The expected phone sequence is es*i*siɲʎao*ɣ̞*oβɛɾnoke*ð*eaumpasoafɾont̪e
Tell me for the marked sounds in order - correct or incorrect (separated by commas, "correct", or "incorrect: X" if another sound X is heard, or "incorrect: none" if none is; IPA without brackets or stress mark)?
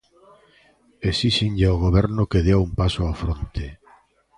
correct, correct, correct